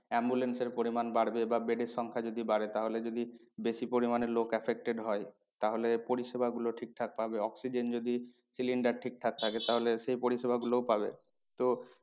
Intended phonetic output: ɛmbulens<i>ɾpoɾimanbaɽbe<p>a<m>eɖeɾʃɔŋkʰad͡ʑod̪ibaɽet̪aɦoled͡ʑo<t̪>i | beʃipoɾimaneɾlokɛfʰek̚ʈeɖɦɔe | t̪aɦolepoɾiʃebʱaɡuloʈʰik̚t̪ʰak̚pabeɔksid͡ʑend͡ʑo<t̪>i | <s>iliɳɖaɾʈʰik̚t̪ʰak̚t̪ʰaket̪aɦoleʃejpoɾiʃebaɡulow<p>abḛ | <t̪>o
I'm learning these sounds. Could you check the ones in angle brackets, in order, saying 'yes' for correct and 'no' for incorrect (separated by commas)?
no, no, no, no, no, yes, yes, yes